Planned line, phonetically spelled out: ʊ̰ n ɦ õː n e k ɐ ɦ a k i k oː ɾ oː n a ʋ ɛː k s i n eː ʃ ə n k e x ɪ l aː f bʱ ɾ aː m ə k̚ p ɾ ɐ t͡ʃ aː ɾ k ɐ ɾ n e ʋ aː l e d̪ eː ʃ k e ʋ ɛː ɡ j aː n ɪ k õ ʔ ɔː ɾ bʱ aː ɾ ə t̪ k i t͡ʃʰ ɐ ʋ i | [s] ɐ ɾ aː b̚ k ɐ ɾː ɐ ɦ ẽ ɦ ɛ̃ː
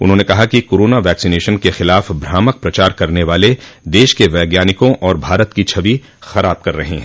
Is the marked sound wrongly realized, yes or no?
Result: yes